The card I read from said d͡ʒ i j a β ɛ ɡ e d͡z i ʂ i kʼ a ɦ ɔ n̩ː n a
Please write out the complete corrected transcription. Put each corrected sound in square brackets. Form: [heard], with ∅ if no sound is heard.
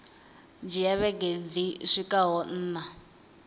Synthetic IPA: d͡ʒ i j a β ɛ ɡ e d͡z i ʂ i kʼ a ɦ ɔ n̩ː n a